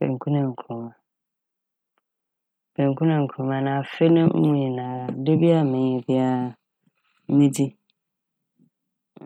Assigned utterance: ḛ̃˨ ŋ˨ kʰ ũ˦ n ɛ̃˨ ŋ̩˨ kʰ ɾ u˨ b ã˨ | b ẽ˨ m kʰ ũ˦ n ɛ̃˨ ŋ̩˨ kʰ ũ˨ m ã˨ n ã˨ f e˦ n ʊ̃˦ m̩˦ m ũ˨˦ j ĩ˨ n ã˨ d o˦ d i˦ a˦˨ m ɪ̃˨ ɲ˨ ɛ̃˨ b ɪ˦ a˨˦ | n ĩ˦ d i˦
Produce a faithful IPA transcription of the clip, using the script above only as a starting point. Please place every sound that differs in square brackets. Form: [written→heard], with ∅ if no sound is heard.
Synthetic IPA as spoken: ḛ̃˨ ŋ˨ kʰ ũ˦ n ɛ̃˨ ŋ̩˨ kʰ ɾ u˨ [b→m] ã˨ | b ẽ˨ [m→ŋ] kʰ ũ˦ n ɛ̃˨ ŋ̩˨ kʰ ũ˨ m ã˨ n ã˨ f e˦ n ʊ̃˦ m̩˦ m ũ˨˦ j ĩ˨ n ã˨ d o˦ [d→b] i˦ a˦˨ m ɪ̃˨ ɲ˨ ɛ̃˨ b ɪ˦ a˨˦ | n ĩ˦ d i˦